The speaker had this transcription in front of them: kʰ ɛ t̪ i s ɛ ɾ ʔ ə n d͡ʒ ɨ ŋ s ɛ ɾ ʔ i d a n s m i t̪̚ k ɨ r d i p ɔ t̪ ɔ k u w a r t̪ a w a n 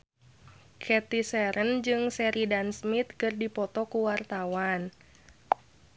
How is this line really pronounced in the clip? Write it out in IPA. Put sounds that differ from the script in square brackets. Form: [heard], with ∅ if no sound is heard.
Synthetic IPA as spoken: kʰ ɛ t̪ i s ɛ ɾ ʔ ə n d͡ʒ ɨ ŋ s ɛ ɾ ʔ i d a n s m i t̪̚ k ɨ r d i p ɔ t̪ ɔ k u w a r t̪ a w a n